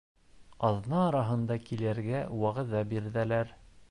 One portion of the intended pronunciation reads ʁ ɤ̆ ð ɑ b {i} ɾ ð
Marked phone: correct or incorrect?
correct